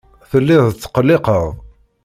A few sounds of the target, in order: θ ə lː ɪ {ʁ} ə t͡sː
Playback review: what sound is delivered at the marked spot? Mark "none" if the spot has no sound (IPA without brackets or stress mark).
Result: ð